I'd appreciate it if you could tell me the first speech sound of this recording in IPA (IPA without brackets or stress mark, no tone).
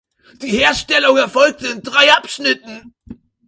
d̥